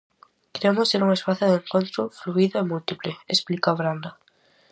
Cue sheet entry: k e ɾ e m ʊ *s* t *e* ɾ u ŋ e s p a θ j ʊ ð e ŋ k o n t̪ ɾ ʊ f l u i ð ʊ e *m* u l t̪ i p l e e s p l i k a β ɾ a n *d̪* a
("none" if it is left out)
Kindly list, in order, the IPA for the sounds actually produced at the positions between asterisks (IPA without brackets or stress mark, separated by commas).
s, e, m, d̪